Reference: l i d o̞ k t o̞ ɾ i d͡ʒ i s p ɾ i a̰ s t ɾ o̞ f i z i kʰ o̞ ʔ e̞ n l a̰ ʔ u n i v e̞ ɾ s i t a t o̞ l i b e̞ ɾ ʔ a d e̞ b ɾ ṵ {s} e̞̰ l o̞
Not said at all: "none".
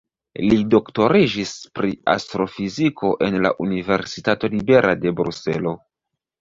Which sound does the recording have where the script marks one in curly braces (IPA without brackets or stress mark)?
s